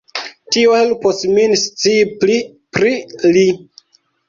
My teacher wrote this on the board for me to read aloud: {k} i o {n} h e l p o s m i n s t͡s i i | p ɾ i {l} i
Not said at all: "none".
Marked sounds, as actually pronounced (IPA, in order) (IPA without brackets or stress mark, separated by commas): t, none, l